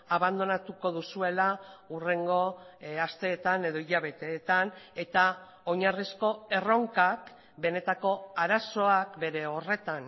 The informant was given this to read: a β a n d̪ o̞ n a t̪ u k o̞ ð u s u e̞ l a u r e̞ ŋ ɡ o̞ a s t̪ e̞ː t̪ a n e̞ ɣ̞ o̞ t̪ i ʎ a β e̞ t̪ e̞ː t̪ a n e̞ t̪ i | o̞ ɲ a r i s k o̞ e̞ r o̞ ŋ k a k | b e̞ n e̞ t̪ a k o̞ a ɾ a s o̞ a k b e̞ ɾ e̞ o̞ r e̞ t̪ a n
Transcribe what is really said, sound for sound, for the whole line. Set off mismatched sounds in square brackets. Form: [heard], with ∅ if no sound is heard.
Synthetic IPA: a β a n d̪ o̞ n a t̪ u k o̞ ð u s u e̞ l a u r e̞ ŋ ɡ o̞ a s t̪ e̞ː t̪ a n e̞ [ð̞] o̞ [∅] i ʎ a β e̞ t̪ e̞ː t̪ a n e̞ t̪ [a] | o̞ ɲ a r i s k o̞ e̞ r o̞ ŋ k a k | b e̞ n e̞ t̪ a k o̞ a ɾ a s o̞ a k b e̞ ɾ e̞ o̞ r e̞ t̪ a n